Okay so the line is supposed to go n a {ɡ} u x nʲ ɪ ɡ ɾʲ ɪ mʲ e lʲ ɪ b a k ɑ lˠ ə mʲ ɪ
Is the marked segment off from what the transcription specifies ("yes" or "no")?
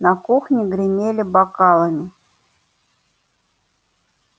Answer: yes